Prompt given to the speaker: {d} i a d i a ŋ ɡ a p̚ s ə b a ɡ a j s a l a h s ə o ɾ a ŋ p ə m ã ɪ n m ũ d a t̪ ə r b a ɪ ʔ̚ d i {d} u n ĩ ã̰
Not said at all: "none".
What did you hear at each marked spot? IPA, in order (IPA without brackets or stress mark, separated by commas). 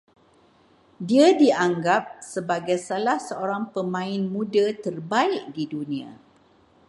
d, d